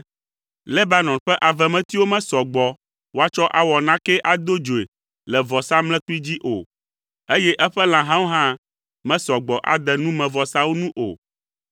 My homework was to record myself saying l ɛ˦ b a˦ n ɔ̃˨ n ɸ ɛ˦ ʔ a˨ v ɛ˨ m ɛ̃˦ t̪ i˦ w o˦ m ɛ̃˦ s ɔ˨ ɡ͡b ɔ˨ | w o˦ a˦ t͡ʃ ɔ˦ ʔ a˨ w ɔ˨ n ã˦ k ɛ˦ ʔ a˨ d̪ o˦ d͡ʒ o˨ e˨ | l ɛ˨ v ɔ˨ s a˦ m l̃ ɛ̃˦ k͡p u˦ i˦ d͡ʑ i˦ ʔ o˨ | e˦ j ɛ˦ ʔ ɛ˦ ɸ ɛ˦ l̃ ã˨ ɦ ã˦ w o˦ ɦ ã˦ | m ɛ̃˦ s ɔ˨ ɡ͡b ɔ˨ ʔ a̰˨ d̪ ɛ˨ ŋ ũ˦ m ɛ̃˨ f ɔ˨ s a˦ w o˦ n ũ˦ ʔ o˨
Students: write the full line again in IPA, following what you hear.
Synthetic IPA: l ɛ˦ b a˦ n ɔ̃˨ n ɸ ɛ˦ ʔ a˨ v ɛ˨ m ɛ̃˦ t̪ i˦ w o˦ m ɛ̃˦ s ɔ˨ ɡ͡b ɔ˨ | w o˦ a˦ t͡ʃ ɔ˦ ʔ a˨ w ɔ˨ n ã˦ k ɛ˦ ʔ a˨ d̪ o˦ d͡ʒ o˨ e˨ | l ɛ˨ v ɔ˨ s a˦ m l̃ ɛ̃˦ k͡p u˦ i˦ d͡ʑ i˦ ʔ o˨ | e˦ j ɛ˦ ʔ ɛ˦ ɸ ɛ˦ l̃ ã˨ ɦ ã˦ w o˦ ɦ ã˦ | m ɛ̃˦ s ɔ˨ ɡ͡b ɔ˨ ʔ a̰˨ d̪ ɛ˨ n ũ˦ m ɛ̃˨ v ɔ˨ s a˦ w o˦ n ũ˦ ʔ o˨